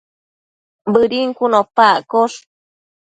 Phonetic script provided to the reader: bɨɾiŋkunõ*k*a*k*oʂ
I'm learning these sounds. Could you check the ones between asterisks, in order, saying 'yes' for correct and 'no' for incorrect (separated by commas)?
no, yes